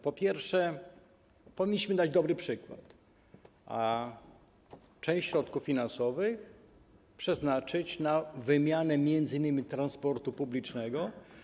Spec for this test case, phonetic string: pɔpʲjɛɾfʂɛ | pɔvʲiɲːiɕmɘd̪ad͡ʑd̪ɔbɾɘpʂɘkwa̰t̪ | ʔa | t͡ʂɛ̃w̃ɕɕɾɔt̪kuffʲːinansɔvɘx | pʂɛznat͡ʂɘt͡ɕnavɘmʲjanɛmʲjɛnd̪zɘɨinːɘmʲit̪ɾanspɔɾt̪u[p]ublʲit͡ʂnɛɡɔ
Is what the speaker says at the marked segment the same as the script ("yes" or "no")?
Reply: yes